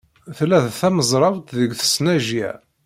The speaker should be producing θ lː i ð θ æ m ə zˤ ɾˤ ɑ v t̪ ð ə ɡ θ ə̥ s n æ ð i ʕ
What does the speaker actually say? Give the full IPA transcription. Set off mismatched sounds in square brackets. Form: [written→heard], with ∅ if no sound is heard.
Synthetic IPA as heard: θ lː [i→æ] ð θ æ m ə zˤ ɾˤ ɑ v t̪ ð ə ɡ θ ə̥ s n æ [ð→ʒ] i ʕ